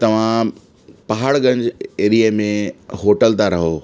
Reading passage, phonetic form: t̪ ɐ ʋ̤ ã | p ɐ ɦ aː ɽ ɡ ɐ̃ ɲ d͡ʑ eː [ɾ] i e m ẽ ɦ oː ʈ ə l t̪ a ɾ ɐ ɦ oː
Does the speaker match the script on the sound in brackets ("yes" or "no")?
yes